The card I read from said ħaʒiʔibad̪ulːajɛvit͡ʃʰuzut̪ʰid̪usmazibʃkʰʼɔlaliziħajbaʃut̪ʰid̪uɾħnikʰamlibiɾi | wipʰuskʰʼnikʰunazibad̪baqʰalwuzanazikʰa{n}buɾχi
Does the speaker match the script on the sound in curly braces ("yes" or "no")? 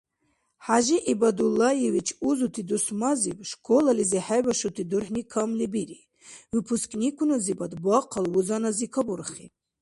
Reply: no